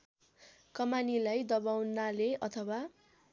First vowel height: mid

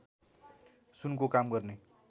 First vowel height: high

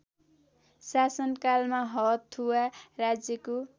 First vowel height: low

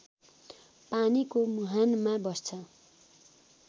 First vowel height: low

